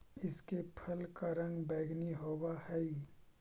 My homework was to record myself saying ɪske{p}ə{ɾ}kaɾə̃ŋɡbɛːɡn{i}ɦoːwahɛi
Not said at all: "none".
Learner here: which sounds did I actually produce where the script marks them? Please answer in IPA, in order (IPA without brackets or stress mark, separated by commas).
pʰ, l, i